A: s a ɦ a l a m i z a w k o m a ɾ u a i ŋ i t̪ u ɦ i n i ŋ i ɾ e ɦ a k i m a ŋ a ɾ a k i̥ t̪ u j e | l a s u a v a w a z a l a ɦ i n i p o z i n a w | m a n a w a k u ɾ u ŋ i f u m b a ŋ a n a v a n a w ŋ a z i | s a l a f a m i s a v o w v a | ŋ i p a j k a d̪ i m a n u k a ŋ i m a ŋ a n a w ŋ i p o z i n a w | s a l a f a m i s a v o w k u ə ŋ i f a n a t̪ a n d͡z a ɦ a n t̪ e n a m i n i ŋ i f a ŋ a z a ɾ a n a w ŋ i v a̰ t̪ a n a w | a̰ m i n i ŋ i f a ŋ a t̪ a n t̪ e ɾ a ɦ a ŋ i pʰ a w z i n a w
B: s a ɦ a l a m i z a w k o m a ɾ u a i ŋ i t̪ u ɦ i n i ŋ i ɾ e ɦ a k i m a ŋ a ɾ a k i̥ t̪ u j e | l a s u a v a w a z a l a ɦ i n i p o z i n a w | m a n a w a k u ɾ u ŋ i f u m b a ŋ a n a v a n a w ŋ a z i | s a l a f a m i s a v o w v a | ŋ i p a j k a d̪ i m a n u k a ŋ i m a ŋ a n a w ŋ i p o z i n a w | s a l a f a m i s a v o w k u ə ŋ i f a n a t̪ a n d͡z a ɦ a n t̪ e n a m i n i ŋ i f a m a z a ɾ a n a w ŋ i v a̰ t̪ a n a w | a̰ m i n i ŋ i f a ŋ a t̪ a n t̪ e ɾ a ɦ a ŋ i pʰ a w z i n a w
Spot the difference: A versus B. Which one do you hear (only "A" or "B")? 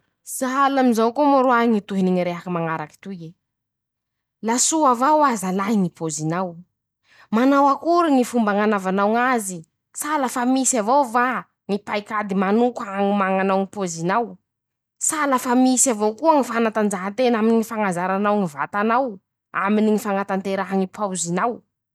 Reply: A